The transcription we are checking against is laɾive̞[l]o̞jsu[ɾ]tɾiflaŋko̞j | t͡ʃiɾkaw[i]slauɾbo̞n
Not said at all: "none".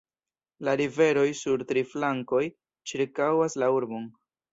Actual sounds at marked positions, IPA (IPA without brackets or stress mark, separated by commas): ɾ, ɾ, a